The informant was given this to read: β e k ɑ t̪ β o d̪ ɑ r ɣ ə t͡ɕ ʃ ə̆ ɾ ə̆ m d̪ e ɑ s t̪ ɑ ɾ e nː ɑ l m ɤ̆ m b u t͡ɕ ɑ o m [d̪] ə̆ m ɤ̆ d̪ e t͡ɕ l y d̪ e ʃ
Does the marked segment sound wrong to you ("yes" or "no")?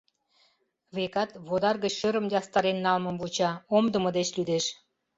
no